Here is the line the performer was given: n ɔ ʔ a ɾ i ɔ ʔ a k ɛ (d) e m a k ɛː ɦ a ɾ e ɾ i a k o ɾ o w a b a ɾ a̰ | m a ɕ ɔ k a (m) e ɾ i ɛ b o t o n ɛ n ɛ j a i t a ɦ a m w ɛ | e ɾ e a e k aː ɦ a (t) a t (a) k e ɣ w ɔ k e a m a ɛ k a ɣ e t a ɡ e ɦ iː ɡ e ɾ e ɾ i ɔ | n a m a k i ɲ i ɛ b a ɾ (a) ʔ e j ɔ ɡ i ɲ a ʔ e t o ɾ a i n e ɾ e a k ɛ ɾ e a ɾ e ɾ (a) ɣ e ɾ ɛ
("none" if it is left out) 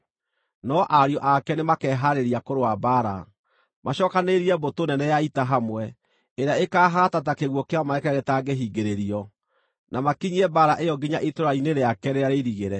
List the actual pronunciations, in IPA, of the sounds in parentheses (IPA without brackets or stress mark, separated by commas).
n, n, t, a, a, i